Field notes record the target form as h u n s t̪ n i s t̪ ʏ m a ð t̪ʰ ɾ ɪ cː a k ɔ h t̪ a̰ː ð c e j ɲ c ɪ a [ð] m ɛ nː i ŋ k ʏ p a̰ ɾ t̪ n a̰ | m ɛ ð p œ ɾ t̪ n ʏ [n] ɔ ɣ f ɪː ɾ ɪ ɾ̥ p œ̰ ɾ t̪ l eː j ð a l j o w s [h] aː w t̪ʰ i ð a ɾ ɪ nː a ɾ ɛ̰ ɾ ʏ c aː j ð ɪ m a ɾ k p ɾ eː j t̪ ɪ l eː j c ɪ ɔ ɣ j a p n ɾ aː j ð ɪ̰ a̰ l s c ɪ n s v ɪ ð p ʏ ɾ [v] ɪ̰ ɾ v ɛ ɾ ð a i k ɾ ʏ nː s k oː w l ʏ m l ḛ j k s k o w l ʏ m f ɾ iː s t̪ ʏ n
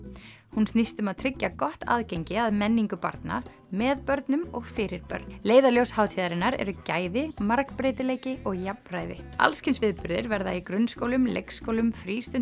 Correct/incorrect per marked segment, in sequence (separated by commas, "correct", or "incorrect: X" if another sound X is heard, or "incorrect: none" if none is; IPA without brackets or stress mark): correct, incorrect: m, correct, incorrect: ð